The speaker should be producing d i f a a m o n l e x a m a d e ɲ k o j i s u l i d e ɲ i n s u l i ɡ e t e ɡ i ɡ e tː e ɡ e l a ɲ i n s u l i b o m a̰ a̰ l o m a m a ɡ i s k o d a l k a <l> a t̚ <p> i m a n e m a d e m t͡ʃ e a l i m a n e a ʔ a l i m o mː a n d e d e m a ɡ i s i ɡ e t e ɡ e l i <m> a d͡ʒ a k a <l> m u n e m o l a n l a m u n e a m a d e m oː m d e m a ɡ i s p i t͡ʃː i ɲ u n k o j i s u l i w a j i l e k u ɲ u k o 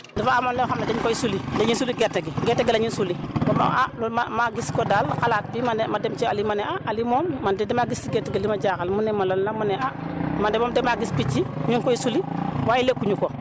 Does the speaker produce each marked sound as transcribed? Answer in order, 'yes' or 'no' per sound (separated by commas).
yes, no, yes, yes